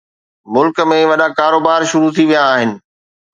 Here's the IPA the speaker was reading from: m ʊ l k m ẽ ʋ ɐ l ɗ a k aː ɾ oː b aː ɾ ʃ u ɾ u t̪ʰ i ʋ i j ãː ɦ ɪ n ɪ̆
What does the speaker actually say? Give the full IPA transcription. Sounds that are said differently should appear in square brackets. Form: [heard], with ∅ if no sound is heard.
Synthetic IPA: m ʊ l k m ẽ ʋ ɐ [∅] ɗ a k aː ɾ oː b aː ɾ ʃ [ʊ] ɾ u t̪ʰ i ʋ i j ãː ɦ ɪ n ɪ̆